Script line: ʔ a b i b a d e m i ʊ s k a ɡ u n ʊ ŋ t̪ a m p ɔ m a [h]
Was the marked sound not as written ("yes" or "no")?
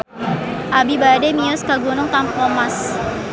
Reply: yes